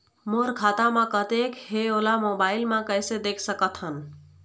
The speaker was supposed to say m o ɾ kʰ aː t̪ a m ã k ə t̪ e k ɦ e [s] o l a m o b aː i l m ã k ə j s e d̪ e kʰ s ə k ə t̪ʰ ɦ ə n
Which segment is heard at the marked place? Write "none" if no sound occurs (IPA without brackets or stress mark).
none